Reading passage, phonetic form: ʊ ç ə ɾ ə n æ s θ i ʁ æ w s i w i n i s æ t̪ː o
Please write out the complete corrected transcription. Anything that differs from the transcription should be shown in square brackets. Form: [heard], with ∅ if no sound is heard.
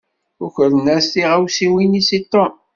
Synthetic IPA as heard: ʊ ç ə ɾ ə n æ s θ i ʁ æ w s i w i n i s [i] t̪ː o